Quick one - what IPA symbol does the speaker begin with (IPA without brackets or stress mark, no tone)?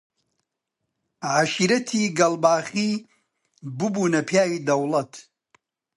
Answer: ʕ